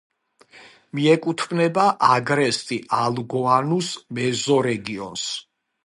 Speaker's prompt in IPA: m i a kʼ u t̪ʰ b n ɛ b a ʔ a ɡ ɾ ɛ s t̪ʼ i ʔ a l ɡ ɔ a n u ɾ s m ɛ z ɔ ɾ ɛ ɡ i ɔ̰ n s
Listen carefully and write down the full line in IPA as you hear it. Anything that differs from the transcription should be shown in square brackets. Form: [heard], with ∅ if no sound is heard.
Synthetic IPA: m i [ɛ] kʼ u t̪ʰ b n ɛ b a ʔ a ɡ ɾ ɛ s t̪ʼ i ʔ a l ɡ ɔ a n u [∅] s m ɛ z ɔ ɾ ɛ ɡ i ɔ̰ n s